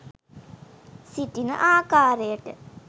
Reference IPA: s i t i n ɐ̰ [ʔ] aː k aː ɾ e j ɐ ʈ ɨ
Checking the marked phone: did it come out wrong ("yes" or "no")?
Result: no